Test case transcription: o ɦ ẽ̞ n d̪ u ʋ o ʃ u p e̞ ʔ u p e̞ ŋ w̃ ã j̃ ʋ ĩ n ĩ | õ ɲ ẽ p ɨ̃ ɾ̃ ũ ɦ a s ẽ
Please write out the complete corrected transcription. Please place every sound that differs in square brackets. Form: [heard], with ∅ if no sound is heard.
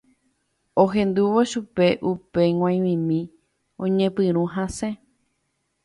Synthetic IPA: o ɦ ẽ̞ n d̪ u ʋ o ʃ u p e̞ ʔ u p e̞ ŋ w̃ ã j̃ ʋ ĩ [m] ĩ | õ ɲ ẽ p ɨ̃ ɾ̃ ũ ɦ a s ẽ